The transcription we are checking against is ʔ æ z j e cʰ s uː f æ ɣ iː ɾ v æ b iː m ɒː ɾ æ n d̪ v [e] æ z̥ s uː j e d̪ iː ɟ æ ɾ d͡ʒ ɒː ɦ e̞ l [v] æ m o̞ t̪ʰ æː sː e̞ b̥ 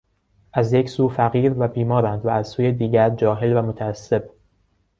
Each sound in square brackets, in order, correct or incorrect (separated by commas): incorrect, correct